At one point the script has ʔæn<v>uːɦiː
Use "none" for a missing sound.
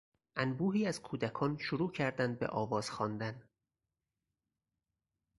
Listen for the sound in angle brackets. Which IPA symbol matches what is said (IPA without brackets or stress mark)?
b